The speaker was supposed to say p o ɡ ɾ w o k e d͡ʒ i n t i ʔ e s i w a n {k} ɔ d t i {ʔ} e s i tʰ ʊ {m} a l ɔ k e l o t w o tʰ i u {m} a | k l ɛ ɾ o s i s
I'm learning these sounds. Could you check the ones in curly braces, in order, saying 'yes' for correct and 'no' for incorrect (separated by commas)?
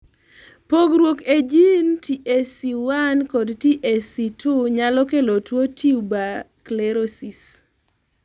yes, yes, no, no